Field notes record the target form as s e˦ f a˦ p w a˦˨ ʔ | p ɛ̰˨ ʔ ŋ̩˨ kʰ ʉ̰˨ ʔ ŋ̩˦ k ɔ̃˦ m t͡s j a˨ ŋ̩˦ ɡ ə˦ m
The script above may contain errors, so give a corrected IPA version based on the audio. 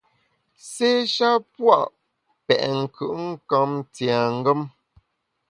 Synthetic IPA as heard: s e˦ ʃ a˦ p w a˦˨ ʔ | p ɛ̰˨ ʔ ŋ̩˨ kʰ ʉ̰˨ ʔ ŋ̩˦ k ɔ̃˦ m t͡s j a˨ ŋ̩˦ ɡ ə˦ m